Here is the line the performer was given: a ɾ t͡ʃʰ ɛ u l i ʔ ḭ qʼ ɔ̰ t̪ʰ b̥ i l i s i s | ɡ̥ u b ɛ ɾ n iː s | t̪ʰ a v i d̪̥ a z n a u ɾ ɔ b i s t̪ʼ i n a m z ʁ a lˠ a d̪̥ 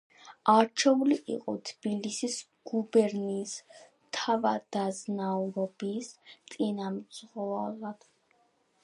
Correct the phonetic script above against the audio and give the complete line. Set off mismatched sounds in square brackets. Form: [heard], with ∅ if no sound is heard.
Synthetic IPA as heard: a ɾ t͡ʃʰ ɛ u l i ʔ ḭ qʼ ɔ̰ t̪ʰ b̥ i l i s i s | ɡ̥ u b ɛ ɾ n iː s | t̪ʰ a v [a] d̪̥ a z n a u ɾ ɔ b i s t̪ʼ i n a m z ʁ a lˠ a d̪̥